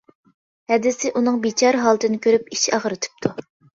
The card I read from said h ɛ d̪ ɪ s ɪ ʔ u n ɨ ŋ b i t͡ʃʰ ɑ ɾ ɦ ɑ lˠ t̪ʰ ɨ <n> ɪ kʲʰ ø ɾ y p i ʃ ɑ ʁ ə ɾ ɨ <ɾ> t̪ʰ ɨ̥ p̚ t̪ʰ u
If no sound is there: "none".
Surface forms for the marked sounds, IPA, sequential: n, none

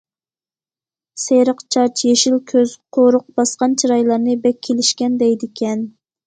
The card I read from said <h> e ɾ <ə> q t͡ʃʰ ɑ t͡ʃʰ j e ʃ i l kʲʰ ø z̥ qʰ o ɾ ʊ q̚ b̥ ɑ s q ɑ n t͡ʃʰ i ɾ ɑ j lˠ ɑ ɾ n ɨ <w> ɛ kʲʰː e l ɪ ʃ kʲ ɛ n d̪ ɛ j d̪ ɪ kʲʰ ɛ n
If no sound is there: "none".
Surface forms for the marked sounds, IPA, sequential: s, ə, b

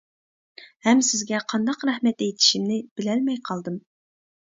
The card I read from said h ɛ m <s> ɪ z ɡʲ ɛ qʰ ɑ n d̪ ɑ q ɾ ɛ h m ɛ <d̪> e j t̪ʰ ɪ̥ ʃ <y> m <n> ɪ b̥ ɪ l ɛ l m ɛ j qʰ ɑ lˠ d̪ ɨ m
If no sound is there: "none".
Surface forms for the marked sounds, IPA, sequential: s, t̪, i, n

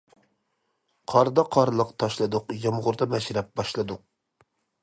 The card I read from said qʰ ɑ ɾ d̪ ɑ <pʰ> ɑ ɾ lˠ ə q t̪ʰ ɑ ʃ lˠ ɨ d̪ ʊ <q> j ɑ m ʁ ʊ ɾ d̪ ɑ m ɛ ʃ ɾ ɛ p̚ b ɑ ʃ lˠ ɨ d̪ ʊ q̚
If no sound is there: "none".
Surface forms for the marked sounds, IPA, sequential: qʰ, q

